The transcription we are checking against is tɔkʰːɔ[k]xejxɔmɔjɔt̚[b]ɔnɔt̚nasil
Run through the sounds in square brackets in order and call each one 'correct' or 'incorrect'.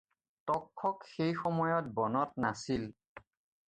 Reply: correct, correct

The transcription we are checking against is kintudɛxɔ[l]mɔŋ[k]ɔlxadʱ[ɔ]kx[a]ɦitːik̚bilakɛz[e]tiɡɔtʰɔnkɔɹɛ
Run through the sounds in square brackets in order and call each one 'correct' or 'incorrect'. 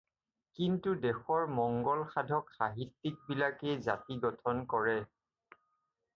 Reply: incorrect: ɹ, incorrect: ɡ, correct, correct, incorrect: a

